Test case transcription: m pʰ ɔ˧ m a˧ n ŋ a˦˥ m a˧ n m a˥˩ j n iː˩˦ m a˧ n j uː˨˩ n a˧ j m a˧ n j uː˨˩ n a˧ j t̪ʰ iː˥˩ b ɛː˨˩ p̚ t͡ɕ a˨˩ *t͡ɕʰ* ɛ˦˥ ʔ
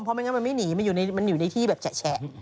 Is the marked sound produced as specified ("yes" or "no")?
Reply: yes